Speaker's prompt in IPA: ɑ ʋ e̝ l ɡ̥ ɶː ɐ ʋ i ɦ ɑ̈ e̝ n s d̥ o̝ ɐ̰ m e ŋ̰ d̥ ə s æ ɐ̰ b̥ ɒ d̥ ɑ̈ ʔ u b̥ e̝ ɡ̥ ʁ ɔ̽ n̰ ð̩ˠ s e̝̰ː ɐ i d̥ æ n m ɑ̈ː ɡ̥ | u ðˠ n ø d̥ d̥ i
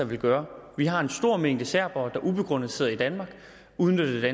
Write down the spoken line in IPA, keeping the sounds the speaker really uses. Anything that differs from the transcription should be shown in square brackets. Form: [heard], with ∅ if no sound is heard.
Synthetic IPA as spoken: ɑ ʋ e̝ l ɡ̥ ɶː ɐ ʋ i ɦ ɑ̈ e̝ n s d̥ o̝ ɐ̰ m e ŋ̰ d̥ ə s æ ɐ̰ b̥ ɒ d̥ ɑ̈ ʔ u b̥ e̝ ɡ̥ ʁ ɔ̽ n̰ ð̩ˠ s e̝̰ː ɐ i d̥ æ n m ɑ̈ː ɡ̥ | u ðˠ n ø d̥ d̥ [æ]